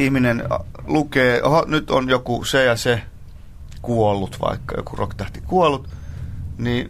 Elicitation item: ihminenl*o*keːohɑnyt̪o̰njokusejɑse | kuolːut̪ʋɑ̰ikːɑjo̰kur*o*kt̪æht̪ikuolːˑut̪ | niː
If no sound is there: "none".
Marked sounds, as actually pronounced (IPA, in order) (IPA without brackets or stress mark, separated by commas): u, o